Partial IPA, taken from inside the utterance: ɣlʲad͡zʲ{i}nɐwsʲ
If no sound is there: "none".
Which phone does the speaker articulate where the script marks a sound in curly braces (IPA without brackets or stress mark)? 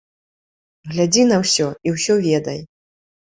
i